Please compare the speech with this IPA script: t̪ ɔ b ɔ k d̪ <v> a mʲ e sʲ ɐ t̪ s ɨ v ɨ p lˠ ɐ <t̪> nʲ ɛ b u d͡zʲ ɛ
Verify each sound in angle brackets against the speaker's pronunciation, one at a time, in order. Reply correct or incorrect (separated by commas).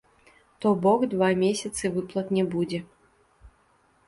correct, correct